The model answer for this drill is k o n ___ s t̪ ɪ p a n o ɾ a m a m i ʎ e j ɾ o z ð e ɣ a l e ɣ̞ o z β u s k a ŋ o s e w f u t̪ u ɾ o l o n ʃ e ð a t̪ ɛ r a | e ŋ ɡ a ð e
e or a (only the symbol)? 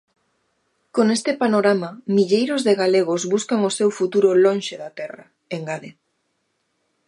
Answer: e